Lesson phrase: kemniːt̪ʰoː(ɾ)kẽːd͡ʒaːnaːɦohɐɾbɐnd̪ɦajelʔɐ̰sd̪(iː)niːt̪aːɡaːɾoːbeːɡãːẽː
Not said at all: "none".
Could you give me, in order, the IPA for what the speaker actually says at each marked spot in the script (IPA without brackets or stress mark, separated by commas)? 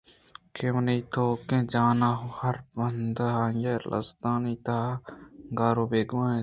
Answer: none, aː